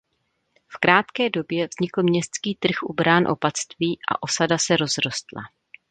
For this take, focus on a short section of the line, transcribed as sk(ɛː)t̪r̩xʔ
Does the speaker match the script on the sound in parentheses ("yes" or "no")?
no